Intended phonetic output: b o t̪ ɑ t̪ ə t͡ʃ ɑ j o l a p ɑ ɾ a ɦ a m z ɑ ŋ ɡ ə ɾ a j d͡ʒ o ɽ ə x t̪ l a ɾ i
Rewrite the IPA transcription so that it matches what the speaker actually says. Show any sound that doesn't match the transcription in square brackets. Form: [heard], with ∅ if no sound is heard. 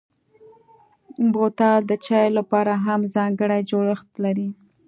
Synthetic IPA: b o t̪ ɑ [d̪] ə t͡ʃ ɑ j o l a p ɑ ɾ a ɦ a m z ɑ ŋ ɡ ə [ɽ] a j d͡ʒ o ɽ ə x t̪ l a ɾ i